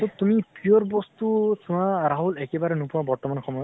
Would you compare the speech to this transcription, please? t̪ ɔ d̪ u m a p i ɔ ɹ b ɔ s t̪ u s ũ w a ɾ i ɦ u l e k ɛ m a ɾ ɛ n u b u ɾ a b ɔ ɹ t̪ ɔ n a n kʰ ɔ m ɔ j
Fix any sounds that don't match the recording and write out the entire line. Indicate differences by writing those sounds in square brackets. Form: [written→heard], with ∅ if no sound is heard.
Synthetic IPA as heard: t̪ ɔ [d̪→t̪] u m [a→i] p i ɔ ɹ b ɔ s t̪ u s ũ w a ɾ [i→a] ɦ u l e k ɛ [m→b] a ɾ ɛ n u [b→p] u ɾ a b ɔ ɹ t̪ ɔ [n→m] a n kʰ ɔ m ɔ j